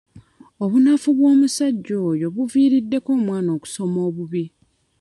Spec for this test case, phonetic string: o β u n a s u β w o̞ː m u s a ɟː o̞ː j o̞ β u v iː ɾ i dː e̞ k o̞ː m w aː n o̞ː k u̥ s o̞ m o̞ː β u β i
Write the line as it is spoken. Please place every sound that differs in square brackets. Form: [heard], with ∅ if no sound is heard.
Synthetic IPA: o β u n a [f] u β w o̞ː m u s a ɟː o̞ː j o̞ β u v iː ɾ i dː e̞ k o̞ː m w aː n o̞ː k u̥ s o̞ m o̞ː β u β i